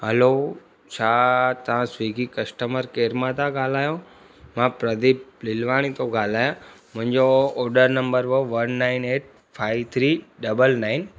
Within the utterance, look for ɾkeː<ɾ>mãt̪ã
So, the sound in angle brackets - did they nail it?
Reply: yes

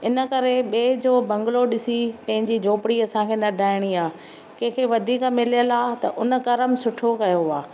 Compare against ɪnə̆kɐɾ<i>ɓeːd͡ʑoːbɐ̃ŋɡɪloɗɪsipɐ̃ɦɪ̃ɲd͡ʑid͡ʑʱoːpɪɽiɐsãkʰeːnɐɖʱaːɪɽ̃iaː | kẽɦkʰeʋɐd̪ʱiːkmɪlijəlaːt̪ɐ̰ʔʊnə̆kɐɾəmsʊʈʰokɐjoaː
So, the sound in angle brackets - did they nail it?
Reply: no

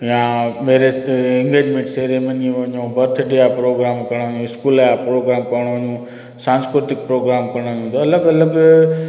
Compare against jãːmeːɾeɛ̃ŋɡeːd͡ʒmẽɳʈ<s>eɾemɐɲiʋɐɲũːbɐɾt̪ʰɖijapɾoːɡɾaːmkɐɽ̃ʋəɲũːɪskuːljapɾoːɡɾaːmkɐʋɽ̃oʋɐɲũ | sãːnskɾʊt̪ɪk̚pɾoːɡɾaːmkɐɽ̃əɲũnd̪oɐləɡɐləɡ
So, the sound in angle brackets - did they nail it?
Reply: yes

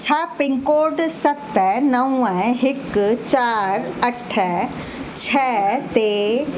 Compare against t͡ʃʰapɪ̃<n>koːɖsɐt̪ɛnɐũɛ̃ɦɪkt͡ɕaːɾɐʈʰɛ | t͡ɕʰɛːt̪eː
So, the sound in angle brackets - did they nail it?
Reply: no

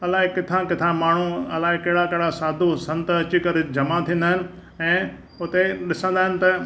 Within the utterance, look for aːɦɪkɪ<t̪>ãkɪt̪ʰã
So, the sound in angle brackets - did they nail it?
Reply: no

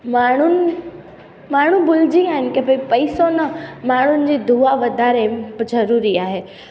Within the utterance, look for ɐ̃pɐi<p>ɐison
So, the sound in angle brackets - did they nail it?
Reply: yes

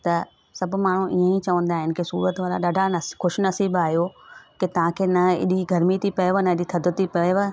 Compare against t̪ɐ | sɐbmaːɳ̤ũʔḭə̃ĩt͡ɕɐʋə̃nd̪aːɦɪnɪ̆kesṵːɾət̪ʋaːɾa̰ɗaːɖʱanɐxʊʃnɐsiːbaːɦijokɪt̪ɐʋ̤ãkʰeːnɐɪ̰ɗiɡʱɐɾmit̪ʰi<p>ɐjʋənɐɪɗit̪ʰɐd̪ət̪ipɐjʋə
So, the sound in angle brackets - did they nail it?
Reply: yes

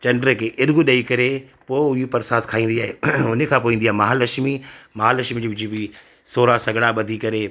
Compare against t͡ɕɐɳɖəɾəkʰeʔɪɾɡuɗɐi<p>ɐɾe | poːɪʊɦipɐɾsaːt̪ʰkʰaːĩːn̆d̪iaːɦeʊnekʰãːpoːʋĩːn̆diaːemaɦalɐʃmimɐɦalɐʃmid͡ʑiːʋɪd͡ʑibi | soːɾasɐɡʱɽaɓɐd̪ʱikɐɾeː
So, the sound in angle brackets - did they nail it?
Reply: no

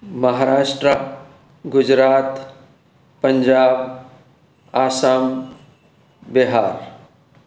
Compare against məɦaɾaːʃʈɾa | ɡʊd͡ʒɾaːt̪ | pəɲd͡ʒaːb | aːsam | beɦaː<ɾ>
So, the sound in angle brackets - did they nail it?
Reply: yes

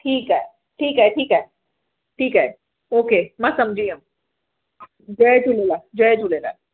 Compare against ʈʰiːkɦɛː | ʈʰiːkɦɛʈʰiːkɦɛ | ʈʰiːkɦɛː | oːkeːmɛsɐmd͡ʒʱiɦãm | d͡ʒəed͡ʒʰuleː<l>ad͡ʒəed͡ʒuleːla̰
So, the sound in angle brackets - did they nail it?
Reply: yes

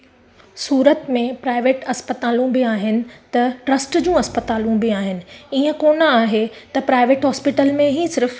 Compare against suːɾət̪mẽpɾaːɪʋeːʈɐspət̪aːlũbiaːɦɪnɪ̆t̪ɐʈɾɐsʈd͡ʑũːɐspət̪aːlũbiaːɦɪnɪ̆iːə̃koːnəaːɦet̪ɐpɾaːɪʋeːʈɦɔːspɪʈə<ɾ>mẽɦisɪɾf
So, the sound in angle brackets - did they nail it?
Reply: no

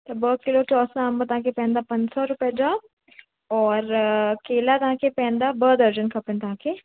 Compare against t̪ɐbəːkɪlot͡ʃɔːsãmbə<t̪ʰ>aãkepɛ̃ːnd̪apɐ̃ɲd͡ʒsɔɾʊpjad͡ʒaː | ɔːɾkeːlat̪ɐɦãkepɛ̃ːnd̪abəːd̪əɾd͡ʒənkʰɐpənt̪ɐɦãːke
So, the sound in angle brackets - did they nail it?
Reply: no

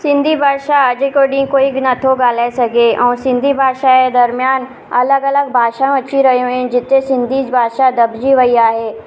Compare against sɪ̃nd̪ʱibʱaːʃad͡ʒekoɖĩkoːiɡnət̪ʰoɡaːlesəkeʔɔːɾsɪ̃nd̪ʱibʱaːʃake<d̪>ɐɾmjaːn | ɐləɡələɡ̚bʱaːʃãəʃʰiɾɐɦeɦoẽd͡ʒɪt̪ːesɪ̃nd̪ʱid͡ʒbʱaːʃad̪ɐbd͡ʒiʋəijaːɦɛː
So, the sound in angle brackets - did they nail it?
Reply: yes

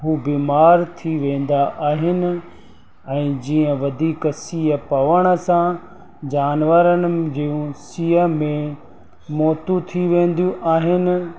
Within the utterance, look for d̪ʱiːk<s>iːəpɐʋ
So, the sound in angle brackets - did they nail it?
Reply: yes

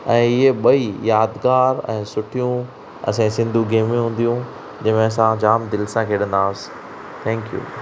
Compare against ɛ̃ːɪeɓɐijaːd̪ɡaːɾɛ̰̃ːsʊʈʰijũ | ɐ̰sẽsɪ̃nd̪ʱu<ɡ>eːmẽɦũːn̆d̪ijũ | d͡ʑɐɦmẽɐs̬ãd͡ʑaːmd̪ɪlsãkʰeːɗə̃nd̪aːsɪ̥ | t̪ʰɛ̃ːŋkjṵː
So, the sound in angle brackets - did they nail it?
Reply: yes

